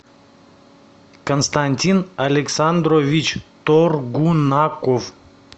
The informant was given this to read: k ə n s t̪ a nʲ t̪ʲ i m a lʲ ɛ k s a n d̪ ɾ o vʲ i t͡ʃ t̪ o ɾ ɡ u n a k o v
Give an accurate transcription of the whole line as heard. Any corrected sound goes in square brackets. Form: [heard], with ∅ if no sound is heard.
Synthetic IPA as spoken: k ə n s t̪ a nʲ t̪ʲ i [n] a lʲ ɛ k s a n d̪ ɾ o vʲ i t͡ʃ t̪ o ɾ ɡ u n a k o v